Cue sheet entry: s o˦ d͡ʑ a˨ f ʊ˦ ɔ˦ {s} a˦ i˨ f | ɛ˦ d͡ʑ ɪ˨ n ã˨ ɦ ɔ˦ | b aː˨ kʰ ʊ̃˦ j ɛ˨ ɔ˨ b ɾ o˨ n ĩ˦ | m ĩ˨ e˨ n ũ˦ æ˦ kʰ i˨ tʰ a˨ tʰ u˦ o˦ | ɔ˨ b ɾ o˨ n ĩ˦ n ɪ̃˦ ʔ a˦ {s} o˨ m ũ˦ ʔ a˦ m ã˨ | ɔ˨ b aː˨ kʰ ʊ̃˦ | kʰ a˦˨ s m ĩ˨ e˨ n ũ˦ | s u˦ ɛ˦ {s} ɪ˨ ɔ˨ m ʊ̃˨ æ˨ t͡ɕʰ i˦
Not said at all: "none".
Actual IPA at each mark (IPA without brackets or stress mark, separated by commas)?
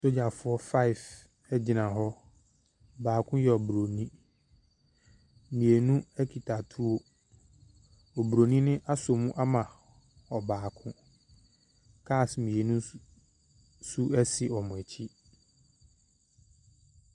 f, s, s